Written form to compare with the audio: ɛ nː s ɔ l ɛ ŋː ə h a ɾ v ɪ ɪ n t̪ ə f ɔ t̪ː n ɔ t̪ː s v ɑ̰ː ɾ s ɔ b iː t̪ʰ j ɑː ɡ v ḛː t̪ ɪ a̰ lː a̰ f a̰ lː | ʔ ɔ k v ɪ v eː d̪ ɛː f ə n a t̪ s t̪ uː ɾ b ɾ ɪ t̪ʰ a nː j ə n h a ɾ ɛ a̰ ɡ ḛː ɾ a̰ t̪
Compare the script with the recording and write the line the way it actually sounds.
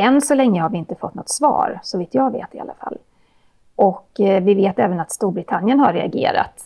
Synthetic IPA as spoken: ɛ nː s ɔ l ɛ ŋː ə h a ɾ v ɪ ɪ n t̪ ə f ɔ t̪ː n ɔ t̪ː s v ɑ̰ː ɾ s ɔ v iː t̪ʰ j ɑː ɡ v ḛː t̪ ɪ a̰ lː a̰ f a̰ lː | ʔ ɔ k v ɪ v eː t̪ ɛː v ə n a t̪ s t̪ uː ɾ b ɾ ɪ t̪ʰ a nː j ə n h a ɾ ɛ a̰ ɡ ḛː ɾ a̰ t̪